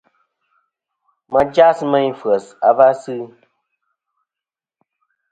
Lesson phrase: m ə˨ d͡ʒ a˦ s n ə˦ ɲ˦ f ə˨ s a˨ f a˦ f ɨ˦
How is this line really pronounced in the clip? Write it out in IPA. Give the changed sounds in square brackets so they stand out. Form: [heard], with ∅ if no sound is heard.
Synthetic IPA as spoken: m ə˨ d͡ʒ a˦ s [m] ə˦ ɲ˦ f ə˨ s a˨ [v] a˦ [s] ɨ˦